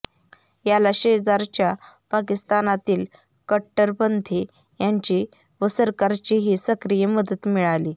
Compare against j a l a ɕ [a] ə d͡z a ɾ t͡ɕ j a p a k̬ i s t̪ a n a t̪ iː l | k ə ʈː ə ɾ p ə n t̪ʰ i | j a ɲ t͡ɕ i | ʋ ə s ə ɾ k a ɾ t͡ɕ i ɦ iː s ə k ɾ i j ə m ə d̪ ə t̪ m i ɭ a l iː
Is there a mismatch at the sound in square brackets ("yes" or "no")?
yes